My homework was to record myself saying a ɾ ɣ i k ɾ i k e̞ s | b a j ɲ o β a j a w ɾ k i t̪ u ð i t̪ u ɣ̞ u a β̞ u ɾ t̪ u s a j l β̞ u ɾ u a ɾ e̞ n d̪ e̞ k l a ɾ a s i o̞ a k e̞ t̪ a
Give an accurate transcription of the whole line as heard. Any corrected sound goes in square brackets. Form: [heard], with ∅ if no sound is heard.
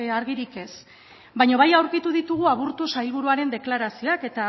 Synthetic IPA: a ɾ ɣ i [∅] ɾ i k e̞ s | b a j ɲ o β a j a w ɾ k i t̪ u ð i t̪ u ɣ̞ u a β̞ u ɾ t̪ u s a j l β̞ u ɾ u a ɾ e̞ n d̪ e̞ k l a ɾ a s i o̞ a k e̞ t̪ a